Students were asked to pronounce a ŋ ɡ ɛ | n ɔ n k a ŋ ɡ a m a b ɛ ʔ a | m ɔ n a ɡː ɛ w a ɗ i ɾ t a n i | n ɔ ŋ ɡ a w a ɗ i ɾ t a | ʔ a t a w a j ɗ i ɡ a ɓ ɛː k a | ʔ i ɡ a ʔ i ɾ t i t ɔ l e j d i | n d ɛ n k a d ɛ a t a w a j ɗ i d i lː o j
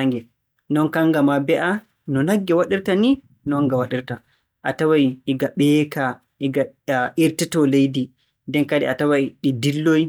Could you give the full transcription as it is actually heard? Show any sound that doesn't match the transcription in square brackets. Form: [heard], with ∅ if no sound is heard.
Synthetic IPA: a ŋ ɡ ɛ | n ɔ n k a ŋ ɡ a m a b ɛ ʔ a | [n] ɔ n a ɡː ɛ w a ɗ i ɾ t a n i | n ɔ ŋ ɡ a w a ɗ i ɾ t a | ʔ a t a w a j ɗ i ɡ a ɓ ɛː k a | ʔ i ɡ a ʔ i ɾ t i t ɔ l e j d i | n d ɛ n k a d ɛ a t a w a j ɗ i d i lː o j

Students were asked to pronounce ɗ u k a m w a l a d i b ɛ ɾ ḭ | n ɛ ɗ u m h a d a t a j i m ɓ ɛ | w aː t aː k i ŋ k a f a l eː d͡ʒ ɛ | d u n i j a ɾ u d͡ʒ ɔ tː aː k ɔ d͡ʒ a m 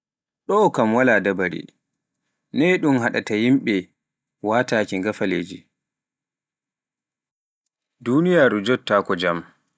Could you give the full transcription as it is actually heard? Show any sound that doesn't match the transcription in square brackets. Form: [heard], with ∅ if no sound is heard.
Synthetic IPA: ɗ [ɔ] k a m w a l a d [a] b [a] ɾ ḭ | n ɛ ɗ u m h a [ɗ] a t a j i m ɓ ɛ | w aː t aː k i ŋ [ɡ] a f a l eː d͡ʒ [i] | d u n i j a ɾ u d͡ʒ ɔ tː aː k ɔ d͡ʒ a m

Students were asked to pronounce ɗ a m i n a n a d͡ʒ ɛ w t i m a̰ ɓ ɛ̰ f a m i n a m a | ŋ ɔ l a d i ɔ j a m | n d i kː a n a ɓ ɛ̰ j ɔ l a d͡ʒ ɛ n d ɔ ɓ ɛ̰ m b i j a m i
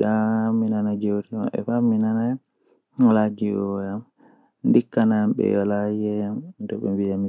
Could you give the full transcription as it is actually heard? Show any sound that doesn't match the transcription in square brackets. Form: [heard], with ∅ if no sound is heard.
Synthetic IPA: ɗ a m i n a n a d͡ʒ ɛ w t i m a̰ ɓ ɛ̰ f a m i n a [n] a | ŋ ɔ l a [d͡ʒ] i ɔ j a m | n d i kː a n a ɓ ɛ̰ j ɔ l a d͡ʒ ɛ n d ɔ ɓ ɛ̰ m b i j a m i

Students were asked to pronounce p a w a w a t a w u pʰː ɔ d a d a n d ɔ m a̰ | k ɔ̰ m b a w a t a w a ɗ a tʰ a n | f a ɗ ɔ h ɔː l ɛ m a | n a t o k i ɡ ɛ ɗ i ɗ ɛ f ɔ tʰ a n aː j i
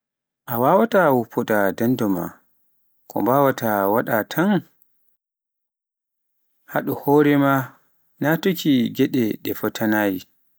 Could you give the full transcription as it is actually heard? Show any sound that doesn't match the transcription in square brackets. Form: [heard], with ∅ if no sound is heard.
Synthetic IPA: [ʔ] a w a w a t a w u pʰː ɔ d a d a n d ɔ m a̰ | k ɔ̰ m b a w a t a w a ɗ a tʰ a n | [h] a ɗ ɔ h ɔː [ɾ] ɛ m a | n a t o k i ɡ ɛ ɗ [ɛ] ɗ ɛ f ɔ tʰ a n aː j i

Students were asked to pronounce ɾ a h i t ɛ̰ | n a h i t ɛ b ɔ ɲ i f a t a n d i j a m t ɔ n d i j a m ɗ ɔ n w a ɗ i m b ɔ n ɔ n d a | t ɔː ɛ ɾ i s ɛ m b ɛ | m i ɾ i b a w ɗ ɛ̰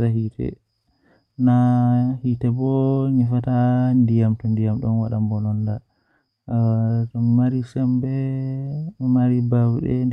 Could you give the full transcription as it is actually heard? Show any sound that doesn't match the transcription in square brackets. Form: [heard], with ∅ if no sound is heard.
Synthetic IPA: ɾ a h i t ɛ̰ | n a h i t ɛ b ɔ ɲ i f a t a n d i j a m t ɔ n d i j a m ɗ ɔ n w a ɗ [a] m b ɔ n ɔ n d a | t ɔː [a] ɾ i s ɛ m b ɛ | m [a] ɾ i b a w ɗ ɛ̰

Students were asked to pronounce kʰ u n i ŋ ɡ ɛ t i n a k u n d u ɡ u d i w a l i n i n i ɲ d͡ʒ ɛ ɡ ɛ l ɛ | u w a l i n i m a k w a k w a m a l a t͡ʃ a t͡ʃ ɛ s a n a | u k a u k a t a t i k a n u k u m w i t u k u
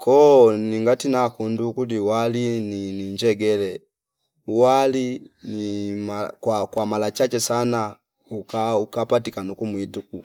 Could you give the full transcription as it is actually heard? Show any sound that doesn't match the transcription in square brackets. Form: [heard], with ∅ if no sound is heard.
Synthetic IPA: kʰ [ɔ] n i ŋ ɡ [a] t i n a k u n d u [k] u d i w a l i n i n i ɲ d͡ʒ ɛ ɡ ɛ l ɛ | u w a l i n i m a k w a k w a m a l a t͡ʃ a t͡ʃ ɛ s a n a | u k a u k a [p] a t i k a n u k u m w i t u k u

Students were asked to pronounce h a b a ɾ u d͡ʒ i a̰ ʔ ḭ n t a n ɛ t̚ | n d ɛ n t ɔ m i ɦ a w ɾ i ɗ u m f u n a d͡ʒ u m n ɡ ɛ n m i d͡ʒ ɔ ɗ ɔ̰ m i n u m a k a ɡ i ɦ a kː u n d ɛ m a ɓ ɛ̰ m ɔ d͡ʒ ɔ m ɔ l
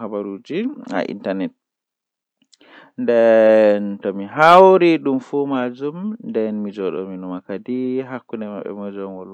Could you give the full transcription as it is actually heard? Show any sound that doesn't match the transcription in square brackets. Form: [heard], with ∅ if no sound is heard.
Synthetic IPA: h a b a ɾ u d͡ʒ i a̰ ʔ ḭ n t a n ɛ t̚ | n d ɛ n t ɔ m i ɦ a w ɾ i ɗ u m f u [m] a d͡ʒ u m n [d] ɛ n m i d͡ʒ ɔ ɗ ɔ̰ m i n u m a k a [d] i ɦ a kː u n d ɛ m a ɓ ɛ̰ m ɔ d͡ʒ ɔ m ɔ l

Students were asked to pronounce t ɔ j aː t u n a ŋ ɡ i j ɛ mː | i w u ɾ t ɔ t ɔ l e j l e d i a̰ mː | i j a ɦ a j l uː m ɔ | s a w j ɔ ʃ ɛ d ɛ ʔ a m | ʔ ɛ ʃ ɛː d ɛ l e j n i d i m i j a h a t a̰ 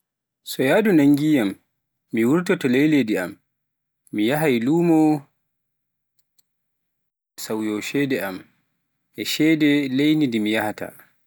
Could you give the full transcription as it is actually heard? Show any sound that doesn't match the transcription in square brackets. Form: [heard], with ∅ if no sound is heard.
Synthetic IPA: [s] ɔ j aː [d] u n a ŋ ɡ i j [a] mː | i w u ɾ t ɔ t ɔ l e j l e d i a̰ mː | i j a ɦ a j l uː m ɔ | s a w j ɔ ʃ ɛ d ɛ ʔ a m | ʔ ɛ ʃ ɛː d ɛ l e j n i d i m i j a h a t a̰

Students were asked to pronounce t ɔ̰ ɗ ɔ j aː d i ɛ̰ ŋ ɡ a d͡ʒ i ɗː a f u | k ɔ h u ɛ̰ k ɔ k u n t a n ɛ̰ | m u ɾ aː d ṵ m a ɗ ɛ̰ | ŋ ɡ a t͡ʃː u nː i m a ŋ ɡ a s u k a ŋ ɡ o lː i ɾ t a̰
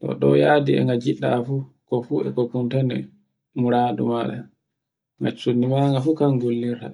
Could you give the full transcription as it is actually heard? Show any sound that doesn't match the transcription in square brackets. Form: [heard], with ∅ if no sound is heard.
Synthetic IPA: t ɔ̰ ɗ ɔ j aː d i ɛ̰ ŋ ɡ a d͡ʒ i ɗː a f u | k ɔ [f] u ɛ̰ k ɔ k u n t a n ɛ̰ | m u ɾ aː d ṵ m a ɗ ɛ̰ | ŋ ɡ a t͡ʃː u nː i m a ŋ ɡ a [f] u k a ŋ ɡ o lː i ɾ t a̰

